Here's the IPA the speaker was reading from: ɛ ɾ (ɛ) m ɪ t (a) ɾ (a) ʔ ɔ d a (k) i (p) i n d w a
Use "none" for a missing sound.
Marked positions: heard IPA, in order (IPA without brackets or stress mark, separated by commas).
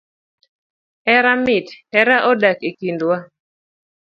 a, ɛ, a, k, k